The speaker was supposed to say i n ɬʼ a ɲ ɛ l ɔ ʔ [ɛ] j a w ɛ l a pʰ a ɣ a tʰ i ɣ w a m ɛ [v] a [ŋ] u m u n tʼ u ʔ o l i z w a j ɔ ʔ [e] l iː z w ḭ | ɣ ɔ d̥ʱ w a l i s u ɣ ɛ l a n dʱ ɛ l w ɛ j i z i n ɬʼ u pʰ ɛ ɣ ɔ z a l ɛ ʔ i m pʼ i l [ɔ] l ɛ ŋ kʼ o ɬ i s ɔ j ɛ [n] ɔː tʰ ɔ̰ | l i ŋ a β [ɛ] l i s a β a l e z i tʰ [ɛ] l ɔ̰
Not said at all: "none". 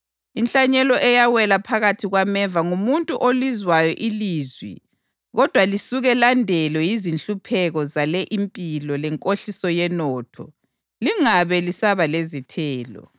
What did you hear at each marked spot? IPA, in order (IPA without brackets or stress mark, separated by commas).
ɛ, v, ŋ, i, ɔ, n, ɛ, ɛː